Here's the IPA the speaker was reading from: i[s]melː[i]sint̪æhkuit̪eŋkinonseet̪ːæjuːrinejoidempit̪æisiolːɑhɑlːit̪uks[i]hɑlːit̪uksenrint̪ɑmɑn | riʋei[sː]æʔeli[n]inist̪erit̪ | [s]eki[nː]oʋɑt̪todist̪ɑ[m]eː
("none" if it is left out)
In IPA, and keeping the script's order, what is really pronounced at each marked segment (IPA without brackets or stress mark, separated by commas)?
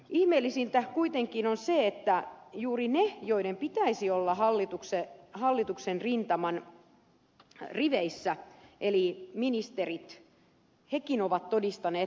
h, i, e, sː, m, h, n, n